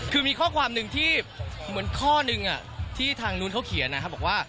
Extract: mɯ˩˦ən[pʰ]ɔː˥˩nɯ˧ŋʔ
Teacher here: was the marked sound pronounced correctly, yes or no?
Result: no